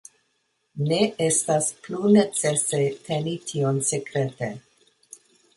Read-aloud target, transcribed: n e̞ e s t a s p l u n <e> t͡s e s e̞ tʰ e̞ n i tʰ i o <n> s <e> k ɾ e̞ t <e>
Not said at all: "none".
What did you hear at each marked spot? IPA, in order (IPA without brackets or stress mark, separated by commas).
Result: e, n, e, e